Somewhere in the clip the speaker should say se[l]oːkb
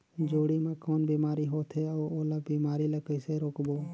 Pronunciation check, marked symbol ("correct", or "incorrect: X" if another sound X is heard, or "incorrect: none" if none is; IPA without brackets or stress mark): incorrect: ɾ